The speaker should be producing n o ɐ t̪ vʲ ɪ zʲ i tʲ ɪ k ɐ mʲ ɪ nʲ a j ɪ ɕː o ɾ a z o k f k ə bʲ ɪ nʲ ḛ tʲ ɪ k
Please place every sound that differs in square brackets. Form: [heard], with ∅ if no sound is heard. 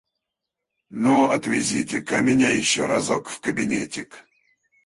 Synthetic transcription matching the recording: n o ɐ t̪ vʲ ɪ zʲ i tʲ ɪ k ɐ mʲ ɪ nʲ a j ɪ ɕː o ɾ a z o k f k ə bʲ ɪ nʲ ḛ tʲ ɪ k